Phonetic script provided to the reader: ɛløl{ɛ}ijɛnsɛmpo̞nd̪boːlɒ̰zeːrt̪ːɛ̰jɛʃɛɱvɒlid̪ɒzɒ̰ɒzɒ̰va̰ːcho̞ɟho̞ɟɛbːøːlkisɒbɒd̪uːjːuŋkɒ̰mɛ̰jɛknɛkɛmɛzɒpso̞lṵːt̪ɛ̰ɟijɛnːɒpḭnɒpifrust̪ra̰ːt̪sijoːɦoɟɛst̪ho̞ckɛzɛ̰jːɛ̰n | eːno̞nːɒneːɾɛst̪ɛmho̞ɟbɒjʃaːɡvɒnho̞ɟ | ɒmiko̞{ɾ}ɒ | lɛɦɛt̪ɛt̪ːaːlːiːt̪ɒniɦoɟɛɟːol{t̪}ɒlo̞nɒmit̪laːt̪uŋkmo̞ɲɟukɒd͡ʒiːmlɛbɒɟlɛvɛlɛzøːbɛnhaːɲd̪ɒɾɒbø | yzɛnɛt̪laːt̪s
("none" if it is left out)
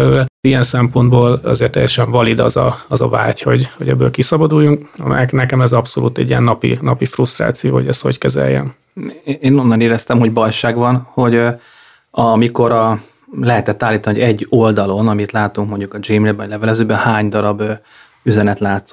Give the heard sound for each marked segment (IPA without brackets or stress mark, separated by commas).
ɛ, ɾ, d̪